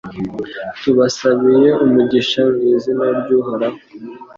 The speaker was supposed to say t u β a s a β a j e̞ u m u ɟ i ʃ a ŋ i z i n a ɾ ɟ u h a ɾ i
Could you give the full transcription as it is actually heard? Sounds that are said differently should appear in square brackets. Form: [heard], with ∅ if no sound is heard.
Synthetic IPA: t u β a s a β [i] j e̞ u m u ɟ i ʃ a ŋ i z i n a ɾ ɟ u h a ɾ [a]

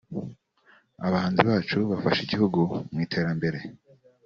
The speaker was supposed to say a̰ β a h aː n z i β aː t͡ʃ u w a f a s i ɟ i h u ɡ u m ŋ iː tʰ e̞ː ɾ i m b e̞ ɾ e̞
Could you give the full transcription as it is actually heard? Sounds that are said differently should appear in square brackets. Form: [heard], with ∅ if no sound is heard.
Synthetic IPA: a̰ β a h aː n z i β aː t͡ʃ u [β] a f a [ʃ] i ɟ i h u ɡ u m ŋ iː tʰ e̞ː ɾ [a] m b e̞ ɾ e̞

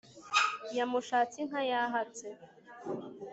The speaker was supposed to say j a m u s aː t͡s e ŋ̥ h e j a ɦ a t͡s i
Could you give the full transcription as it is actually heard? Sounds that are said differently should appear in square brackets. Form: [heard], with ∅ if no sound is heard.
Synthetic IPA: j a m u [ʃ] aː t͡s [i] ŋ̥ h [a] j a ɦ a t͡s [e]

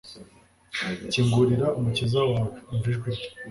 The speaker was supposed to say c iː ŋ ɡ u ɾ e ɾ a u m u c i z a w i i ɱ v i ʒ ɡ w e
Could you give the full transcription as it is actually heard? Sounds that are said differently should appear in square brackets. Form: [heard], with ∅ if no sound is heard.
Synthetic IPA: c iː ŋ ɡ u ɾ [i] ɾ a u m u c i z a w [a] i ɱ v i ʒ ɡ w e

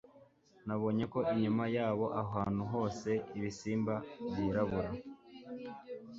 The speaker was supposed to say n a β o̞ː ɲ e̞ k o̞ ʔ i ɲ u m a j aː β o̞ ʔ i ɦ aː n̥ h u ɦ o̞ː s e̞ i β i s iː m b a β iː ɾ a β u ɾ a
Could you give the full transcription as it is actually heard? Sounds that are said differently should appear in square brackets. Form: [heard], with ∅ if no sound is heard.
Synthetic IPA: n a β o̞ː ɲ e̞ k o̞ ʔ i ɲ u m a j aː β o̞ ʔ [a] ɦ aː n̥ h u ɦ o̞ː s e̞ i β i s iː m b a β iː ɾ a β u ɾ a

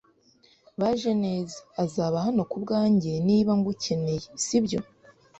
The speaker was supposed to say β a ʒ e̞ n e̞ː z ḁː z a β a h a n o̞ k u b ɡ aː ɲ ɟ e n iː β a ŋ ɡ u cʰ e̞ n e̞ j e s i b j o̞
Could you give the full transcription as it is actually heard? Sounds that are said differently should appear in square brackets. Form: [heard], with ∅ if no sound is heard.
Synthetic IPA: β a ʒ e̞ n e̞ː z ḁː z a β a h a n o̞ k u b ɡ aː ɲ ɟ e n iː β a ŋ ɡ u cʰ e̞ n e̞ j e s i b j o̞

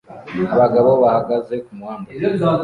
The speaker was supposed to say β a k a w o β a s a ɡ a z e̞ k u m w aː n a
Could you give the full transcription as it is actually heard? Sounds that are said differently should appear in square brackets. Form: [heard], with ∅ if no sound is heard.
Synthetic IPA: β a [ɡ] a [β] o β a [h] a ɡ a z e̞ k u m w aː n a

